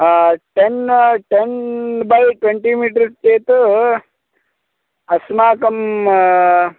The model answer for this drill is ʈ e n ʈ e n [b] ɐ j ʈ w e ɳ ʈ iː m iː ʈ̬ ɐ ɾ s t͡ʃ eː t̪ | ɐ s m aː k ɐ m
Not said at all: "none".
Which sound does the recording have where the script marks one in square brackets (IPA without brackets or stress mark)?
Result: b